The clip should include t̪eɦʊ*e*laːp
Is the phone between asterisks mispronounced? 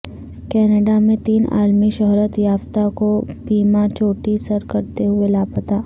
no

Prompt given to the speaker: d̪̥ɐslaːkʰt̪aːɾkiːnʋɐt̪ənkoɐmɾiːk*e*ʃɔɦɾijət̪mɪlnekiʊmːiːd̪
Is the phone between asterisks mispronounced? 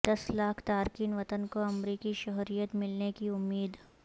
yes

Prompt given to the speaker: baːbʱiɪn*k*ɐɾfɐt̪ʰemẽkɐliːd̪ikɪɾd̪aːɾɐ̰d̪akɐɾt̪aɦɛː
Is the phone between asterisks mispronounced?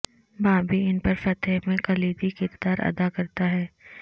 yes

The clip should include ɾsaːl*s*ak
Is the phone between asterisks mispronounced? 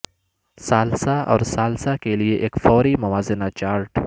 no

